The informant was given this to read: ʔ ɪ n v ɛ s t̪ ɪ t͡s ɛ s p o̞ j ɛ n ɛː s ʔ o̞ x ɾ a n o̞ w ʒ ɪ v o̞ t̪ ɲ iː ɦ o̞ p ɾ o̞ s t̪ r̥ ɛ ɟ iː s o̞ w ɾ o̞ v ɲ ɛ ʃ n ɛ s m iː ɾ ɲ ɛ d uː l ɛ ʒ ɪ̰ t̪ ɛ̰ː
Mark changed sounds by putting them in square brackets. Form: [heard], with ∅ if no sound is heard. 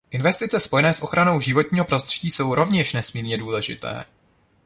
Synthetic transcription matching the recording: ʔ ɪ n v ɛ s t̪ ɪ t͡s ɛ s p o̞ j ɛ n ɛː s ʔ o̞ x ɾ a n o̞ w ʒ ɪ v o̞ t̪ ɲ iː ɦ o̞ p ɾ o̞ s t̪ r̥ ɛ ɟ iː s o̞ w ɾ o̞ v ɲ ɛ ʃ n ɛ s m iː ɾ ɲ ɛ d uː l ɛ ʒ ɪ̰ t̪ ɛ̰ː

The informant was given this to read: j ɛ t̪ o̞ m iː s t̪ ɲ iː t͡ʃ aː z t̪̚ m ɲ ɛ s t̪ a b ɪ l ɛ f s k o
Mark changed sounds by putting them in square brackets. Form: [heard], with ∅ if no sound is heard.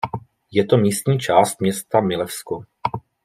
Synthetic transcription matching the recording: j ɛ t̪ o̞ m iː s t̪ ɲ iː t͡ʃ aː [s] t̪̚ m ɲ ɛ s t̪ a [m] ɪ l ɛ f s k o

